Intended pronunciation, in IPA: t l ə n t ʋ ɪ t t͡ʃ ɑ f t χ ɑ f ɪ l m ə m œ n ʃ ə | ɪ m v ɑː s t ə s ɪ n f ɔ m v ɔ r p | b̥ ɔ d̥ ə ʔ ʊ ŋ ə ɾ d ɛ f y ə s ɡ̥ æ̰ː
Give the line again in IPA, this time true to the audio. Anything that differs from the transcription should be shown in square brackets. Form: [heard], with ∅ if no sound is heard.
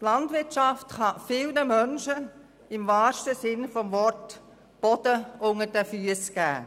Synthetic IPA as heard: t l [ɑ] n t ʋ ɪ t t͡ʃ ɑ f t χ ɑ f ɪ l [n] ə m œ n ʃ ə | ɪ m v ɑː [ʃ] t ə s ɪ n f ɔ m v ɔ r [t] | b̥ ɔ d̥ ə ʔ ʊ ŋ ə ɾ d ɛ f y ə s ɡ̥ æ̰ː